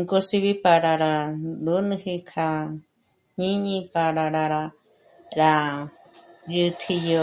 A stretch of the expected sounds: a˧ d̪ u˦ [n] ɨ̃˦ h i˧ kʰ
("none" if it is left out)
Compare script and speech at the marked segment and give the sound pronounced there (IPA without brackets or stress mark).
n